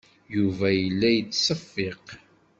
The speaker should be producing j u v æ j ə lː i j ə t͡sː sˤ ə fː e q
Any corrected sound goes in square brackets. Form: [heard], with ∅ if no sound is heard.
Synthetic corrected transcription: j u v æ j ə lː [æ] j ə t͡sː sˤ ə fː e q